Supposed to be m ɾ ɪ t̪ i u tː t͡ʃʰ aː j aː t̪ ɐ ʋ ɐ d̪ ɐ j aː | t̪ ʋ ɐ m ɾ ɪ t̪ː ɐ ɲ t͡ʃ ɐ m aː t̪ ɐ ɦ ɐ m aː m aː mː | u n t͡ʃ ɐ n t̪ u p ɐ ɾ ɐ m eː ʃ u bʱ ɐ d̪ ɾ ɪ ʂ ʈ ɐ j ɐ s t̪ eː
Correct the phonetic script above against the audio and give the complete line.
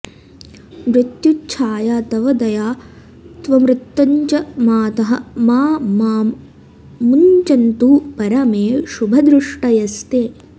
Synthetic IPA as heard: m ɾ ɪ t̪ j u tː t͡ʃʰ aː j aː t̪ ɐ ʋ ɐ d̪ ɐ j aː | t̪ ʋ ɐ m ɾ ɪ t̪ː ɐ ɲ t͡ʃ ɐ m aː t̪ ɐ ɦ ɐ m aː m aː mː | u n t͡ʃ ɐ n t̪ u p ɐ ɾ ɐ m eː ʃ u bʱ ɐ d̪ ɾ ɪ ʂ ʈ ɐ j ɐ s t̪ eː